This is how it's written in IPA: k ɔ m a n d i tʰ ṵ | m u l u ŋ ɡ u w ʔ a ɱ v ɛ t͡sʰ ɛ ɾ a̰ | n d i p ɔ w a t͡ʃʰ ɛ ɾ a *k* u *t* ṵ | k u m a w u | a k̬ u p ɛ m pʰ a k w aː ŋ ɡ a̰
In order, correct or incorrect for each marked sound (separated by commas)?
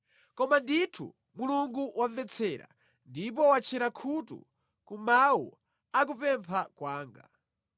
incorrect, correct